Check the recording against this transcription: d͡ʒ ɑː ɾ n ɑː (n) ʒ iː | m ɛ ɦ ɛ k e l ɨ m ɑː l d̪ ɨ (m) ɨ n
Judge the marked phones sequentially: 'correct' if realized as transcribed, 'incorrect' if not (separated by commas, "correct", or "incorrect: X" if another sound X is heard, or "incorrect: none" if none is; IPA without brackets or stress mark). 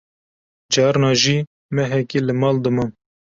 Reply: incorrect: none, correct